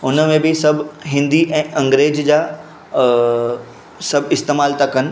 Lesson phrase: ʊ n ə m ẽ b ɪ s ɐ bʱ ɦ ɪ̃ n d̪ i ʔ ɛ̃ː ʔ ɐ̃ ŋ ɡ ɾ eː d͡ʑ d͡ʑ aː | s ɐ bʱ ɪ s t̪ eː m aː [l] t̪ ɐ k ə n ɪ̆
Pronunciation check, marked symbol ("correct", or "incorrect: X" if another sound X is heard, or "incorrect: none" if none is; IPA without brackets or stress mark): correct